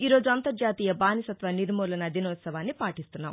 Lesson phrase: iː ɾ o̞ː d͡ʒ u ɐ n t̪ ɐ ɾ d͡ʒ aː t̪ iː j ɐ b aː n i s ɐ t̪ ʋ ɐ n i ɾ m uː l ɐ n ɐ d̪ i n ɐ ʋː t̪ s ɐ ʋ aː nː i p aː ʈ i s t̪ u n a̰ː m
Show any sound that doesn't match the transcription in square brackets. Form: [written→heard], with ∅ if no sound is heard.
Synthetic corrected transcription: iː ɾ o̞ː d͡ʒ u ɐ n t̪ ɐ ɾ d͡ʒ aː t̪ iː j ɐ b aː n i s ɐ t̪ ʋ ɐ n i ɾ m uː l ɐ n ɐ d̪ i n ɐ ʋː t̪ s ɐ ʋ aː nː i p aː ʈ i s t̪ u [n→nː] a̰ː m